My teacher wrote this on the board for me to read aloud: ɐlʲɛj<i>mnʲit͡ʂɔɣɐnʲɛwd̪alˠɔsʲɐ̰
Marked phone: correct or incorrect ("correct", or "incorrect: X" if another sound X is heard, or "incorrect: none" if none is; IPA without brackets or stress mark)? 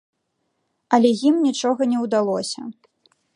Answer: correct